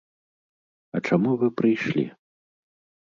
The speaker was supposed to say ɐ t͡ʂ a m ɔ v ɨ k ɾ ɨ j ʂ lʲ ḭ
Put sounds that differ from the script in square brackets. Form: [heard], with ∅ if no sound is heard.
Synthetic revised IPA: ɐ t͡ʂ a m [u] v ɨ [p] ɾ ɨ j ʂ lʲ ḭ